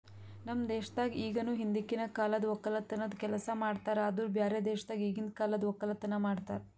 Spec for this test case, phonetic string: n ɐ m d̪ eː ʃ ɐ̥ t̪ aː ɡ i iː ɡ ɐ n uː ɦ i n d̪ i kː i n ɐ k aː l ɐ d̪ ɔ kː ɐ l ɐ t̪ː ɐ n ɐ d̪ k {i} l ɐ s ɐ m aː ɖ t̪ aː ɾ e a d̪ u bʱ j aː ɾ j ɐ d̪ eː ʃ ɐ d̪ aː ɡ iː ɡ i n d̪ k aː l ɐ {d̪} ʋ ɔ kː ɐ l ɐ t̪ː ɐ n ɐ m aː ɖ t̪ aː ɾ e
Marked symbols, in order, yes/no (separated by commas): no, yes